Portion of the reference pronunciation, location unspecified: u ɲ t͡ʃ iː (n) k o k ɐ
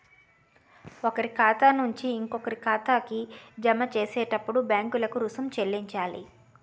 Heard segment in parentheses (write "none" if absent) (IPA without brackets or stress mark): ŋ